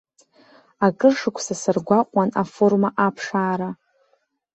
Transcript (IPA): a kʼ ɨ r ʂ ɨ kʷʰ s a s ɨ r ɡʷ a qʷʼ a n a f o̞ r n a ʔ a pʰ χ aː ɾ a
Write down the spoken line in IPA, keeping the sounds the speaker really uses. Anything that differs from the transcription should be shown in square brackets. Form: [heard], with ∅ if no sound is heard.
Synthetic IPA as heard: a kʼ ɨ r ʂ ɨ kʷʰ s a s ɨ r ɡʷ a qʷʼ a n a f o̞ r [m] a ʔ a pʰ [ʂ] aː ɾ a